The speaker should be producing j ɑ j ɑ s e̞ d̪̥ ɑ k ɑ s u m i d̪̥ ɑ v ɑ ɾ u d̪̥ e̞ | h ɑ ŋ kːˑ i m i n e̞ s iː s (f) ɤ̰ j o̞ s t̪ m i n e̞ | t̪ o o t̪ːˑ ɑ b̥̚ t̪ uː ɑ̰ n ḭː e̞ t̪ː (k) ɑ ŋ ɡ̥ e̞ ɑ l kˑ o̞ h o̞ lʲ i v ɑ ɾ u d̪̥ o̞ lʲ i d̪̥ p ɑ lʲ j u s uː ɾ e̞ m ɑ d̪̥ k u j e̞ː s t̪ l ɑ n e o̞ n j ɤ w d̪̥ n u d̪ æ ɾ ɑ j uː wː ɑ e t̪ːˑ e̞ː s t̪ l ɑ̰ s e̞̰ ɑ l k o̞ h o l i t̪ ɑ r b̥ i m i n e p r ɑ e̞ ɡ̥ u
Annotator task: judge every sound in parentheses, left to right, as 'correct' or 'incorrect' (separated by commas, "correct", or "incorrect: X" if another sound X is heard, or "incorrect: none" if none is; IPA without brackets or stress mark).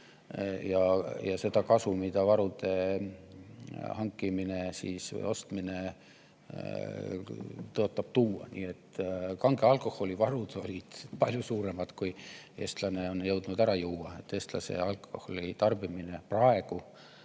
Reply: incorrect: v, correct